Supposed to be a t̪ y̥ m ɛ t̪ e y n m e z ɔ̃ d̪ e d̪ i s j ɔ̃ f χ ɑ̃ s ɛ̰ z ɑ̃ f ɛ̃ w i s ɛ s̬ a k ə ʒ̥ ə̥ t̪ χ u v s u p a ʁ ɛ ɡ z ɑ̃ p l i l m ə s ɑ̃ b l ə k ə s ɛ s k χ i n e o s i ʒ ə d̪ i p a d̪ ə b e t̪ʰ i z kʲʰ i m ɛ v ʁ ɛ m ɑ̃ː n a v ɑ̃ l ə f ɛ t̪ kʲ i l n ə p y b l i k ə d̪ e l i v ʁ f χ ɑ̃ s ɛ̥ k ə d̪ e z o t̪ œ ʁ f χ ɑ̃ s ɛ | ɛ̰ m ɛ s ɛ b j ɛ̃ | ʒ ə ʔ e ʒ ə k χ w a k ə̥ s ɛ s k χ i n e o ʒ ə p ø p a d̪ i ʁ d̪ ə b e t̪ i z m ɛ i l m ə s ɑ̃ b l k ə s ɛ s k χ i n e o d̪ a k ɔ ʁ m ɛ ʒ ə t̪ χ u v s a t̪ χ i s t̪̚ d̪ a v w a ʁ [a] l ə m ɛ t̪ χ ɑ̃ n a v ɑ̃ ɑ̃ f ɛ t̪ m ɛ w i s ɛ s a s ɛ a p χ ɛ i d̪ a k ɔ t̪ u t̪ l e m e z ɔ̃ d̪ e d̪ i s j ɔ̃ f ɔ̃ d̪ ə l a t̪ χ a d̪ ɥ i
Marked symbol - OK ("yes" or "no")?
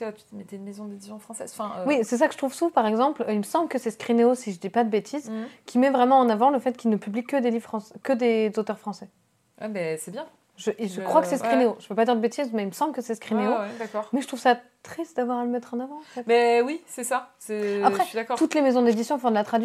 yes